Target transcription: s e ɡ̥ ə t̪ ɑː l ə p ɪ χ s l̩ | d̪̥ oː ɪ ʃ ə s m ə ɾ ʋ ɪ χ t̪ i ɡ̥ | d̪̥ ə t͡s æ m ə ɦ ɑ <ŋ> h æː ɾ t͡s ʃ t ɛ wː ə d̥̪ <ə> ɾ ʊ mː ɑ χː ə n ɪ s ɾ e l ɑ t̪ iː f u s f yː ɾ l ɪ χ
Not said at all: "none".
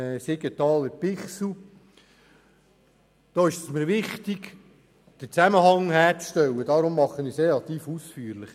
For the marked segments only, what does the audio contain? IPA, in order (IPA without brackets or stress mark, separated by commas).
ŋ, ɑ